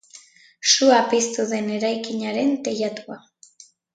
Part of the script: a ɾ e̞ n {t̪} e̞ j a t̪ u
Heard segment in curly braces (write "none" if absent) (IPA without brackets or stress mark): t̪